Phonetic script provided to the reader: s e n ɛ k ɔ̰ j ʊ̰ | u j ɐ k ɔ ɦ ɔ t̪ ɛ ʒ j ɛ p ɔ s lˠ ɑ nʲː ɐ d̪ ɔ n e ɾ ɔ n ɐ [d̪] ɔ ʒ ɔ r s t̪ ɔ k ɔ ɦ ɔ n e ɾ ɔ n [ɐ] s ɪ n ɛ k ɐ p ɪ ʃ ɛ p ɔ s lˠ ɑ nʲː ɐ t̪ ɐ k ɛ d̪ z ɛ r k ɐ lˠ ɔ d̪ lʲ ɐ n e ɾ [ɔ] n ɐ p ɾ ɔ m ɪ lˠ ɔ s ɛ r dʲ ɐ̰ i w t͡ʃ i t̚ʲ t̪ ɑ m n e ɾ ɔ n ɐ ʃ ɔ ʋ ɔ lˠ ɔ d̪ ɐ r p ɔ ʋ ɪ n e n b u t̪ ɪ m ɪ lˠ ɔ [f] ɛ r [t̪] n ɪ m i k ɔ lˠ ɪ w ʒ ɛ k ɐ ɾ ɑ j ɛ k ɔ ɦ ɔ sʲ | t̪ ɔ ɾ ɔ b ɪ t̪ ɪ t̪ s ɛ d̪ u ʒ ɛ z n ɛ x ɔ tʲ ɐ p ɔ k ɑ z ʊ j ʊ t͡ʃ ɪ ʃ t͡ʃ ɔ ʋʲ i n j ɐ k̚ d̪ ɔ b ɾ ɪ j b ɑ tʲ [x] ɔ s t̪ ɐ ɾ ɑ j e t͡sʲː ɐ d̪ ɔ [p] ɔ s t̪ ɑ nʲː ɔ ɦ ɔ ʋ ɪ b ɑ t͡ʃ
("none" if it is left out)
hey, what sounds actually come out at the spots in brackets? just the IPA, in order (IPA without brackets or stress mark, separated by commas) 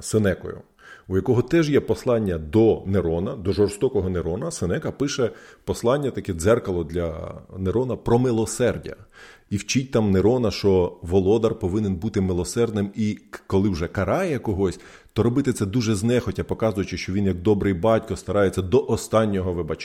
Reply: d̪, ɐ, ɔ, s, d̪, k, ʔ